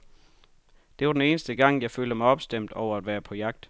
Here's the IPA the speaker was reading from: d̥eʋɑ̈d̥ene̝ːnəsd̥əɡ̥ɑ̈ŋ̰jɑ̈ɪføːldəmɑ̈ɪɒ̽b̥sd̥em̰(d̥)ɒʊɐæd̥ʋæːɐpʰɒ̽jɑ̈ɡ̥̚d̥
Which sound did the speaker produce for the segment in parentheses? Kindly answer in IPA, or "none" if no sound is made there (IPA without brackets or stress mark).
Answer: d̥